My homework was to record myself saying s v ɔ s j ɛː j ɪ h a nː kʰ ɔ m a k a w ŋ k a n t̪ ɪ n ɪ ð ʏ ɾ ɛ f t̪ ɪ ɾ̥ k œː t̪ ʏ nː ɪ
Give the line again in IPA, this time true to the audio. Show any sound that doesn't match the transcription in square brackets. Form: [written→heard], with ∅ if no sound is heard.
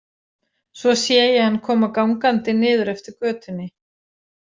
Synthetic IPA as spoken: s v ɔ s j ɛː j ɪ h a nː kʰ [ɔ→ɔː] m a k a w ŋ k a n t̪ ɪ n [ɪ→ɪː] ð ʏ ɾ ɛ f t̪ ɪ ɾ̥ k œː t̪ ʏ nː ɪ